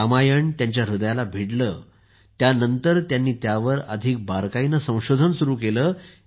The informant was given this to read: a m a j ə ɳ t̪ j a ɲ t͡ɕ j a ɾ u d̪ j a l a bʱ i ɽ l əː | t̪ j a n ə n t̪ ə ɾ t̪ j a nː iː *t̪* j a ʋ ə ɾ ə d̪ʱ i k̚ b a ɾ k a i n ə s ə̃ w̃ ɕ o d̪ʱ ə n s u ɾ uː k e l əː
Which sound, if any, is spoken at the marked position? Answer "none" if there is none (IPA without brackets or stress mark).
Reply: t̪